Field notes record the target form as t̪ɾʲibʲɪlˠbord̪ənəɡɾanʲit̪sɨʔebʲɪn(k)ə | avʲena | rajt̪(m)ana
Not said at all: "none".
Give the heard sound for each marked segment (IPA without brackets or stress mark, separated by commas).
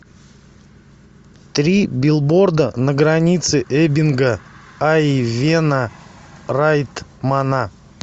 ɡ, m